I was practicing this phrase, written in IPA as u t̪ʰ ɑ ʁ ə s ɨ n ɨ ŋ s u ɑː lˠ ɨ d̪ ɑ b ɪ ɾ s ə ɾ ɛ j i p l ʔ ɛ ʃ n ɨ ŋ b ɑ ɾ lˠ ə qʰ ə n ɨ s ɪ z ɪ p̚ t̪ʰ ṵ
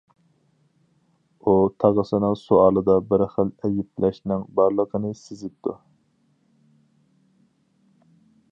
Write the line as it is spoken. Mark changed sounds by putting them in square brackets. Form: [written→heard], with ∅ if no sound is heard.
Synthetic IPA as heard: u t̪ʰ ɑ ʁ ə s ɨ n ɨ ŋ s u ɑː lˠ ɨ d̪ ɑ b ɪ ɾ [s→χ] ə [ɾ→l] ɛ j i p l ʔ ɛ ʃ n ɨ ŋ b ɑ ɾ lˠ ə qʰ ə n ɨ s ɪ z ɪ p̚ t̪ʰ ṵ